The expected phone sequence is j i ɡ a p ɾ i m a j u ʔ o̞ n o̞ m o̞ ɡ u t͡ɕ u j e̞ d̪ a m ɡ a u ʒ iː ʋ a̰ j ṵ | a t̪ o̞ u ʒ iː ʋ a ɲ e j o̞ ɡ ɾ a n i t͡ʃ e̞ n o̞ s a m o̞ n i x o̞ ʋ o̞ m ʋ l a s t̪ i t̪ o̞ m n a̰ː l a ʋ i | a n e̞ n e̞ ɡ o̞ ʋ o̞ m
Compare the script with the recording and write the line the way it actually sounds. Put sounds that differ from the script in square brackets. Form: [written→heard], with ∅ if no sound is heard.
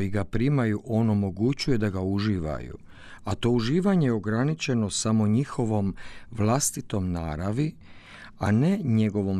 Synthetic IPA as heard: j i ɡ a p ɾ i m a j u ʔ o̞ n o̞ m o̞ ɡ u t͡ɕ u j e̞ d̪ a [m→∅] ɡ a u ʒ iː ʋ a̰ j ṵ | a t̪ o̞ u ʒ iː ʋ a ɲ e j o̞ ɡ ɾ a n i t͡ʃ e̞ n o̞ s a m o̞ [n→ɲ] i x o̞ ʋ o̞ m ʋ l a s t̪ i t̪ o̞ m n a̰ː [l→ɾ] a ʋ i | a n e̞ [n→ɲ] e̞ ɡ o̞ ʋ o̞ m